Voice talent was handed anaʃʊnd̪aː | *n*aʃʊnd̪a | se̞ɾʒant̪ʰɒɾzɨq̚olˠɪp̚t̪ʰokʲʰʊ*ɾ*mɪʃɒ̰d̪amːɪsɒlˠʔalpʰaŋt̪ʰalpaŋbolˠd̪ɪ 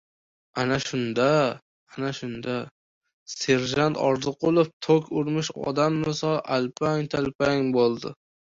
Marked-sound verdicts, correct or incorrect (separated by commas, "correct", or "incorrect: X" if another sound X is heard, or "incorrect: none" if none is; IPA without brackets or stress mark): correct, correct